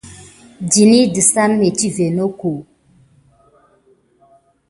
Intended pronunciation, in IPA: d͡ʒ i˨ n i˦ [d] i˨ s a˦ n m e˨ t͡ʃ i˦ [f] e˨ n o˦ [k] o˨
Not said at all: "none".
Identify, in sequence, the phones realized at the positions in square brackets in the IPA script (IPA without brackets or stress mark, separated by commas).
d, v, k